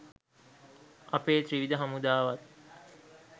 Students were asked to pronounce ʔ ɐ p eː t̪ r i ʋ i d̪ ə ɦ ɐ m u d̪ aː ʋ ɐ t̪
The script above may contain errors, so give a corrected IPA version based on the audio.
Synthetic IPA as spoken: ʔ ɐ p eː t̪ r i ʋ i d̪ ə ɦ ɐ m u d̪ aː ʋ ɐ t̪